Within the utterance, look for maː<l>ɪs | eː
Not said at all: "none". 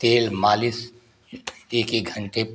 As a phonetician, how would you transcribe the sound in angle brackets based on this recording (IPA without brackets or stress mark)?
l